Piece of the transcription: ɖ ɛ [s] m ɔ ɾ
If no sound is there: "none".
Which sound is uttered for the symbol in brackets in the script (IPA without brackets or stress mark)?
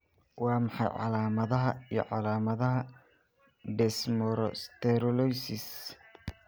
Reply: s